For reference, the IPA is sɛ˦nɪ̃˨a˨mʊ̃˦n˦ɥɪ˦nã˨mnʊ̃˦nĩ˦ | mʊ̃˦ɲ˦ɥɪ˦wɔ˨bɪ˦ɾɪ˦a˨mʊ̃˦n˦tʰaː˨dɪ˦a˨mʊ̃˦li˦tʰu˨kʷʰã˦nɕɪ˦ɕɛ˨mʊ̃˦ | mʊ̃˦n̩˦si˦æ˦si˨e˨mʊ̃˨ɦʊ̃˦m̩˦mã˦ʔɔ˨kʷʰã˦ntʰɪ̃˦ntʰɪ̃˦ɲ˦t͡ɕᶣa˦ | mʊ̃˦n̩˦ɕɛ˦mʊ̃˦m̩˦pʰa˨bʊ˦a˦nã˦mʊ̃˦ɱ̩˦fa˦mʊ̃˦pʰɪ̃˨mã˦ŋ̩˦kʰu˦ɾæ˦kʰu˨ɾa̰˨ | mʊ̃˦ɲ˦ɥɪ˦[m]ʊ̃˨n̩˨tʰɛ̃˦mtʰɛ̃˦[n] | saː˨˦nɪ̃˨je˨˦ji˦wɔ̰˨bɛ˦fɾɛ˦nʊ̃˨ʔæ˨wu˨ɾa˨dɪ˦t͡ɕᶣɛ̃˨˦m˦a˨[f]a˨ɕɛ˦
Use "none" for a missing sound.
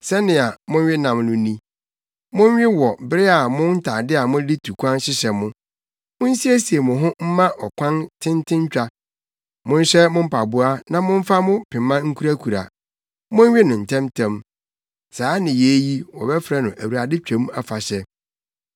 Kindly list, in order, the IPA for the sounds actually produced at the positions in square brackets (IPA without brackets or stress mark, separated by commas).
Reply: n, m, f